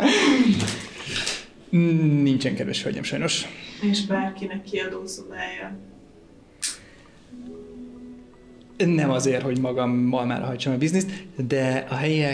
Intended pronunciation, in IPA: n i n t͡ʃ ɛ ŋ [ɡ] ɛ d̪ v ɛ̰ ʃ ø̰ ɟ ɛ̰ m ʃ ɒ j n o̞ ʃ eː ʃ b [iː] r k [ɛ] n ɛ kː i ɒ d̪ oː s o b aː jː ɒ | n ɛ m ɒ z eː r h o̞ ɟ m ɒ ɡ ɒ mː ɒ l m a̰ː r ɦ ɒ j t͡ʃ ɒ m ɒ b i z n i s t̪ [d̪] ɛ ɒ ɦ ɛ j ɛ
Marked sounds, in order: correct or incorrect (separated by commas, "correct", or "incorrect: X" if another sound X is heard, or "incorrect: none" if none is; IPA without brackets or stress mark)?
incorrect: k, incorrect: aː, incorrect: i, correct